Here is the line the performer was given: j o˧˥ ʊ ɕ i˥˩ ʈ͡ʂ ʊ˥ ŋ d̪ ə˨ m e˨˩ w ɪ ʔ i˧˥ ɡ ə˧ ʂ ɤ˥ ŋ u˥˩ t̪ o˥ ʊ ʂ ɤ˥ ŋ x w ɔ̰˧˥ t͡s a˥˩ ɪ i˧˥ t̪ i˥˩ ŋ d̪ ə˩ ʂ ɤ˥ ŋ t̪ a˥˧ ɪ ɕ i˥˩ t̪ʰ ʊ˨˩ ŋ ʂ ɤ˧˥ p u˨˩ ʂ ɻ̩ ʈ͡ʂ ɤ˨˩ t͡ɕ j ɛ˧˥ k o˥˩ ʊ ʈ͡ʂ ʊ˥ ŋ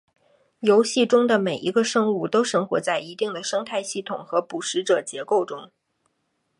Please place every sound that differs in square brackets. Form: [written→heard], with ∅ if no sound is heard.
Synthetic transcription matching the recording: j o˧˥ ʊ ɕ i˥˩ ʈ͡ʂ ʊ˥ ŋ d̪ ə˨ m e˨˩ [w→∅] ɪ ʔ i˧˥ ɡ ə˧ ʂ ɤ˥ ŋ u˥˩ t̪ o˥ ʊ ʂ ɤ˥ ŋ x w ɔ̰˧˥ t͡s a˥˩ ɪ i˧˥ t̪ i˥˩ ŋ d̪ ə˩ ʂ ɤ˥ ŋ [t̪→t̪ʰ] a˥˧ ɪ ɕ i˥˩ t̪ʰ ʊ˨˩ ŋ [ʂ→x] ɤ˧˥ p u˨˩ ʂ ɻ̩ ʈ͡ʂ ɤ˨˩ t͡ɕ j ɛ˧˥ k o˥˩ ʊ ʈ͡ʂ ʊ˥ ŋ